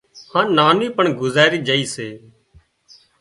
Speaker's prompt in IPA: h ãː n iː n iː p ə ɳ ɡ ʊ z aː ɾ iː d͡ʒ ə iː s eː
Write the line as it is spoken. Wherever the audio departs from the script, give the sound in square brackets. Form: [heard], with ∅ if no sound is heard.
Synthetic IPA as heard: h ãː n [aː] n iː p ə ɳ ɡ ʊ z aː ɾ iː d͡ʒ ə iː s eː